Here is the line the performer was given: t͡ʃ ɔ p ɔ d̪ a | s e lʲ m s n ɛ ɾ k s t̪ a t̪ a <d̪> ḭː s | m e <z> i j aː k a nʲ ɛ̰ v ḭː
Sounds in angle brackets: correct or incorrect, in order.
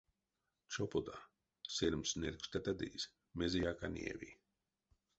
correct, correct

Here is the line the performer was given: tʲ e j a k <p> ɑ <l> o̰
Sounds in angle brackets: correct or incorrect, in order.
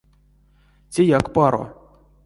correct, incorrect: ɾ

